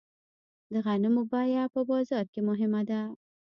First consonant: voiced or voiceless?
voiced